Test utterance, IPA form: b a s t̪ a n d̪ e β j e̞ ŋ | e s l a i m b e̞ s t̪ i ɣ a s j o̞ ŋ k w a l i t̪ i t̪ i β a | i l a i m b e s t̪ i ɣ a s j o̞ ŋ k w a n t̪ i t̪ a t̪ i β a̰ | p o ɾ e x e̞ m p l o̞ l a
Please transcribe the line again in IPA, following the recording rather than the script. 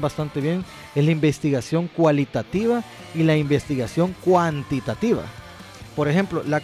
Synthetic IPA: b a s t̪ a n t̪ e β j e̞ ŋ | e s l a i m b e̞ s t̪ i ɣ a s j o̞ ŋ k w a l i t̪ a t̪ i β a | i l a i m b e s t̪ i ɣ a s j o̞ ŋ k w a n t̪ i t̪ a t̪ i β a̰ | p o ɾ e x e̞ m p l o̞ l a